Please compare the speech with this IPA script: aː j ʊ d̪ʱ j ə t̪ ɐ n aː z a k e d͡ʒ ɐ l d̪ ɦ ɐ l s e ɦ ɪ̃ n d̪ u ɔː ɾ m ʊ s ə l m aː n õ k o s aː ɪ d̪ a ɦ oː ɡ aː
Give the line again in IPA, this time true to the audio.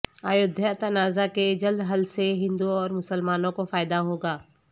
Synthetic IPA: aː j ʊ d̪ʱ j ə t̪ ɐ n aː z a k e d͡ʒ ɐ l d̪ ɦ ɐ l s e ɦ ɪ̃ n d̪ u ɔː ɾ m ʊ s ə l m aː n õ k o f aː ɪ d̪ a ɦ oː ɡ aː